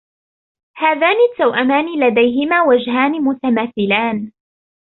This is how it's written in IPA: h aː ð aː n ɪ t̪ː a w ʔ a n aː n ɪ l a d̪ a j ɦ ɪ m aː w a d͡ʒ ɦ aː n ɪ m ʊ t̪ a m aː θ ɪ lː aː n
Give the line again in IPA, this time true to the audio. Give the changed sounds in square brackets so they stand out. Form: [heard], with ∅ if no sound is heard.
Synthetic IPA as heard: h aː ð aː n ɪ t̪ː a w ʔ a [m] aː n ɪ l a d̪ a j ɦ ɪ m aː w a d͡ʒ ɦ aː n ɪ m ʊ t̪ a m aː θ ɪ [l] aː n